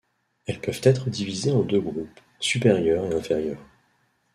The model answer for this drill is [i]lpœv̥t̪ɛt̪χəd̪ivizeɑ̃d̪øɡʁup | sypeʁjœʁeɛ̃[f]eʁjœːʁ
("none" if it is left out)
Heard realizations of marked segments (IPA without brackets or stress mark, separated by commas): ɛ, f